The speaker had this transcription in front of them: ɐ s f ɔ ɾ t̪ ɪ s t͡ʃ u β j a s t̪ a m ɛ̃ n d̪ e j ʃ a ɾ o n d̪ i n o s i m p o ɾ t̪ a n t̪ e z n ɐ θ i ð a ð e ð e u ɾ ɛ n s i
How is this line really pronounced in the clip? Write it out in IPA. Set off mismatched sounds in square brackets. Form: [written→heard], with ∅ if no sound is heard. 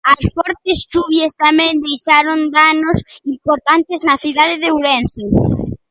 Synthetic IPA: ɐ s f ɔ ɾ t̪ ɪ s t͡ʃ u β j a s t̪ a m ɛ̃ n d̪ e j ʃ a ɾ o n d̪ [i→a] n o s i m p o ɾ t̪ a n t̪ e z n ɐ θ i ð a ð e ð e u ɾ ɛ n s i